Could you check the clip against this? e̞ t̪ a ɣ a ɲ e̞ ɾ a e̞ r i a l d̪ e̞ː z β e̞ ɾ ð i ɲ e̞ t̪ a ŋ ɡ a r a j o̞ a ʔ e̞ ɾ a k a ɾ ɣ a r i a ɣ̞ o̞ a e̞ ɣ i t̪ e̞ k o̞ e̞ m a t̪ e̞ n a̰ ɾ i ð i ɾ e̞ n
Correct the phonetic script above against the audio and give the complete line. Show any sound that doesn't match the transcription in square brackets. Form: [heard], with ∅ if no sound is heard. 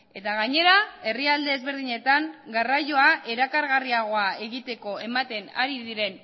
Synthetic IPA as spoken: e̞ t̪ a ɣ a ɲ e̞ ɾ a e̞ r i a l d̪ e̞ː z β e̞ ɾ ð i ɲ e̞ t̪ a ŋ ɡ a r a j o̞ a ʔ e̞ ɾ a k a ɾ ɣ a r i a ɣ̞ o̞ a e̞ ɣ i t̪ e̞ k o̞ e̞ m a t̪ e̞ n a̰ ɾ i ð i ɾ e̞ n